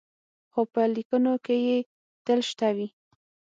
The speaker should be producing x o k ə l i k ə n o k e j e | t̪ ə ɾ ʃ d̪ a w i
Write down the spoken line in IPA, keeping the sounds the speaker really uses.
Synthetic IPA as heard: x o p ə l i k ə n o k e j e | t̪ ə l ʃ t̪ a w i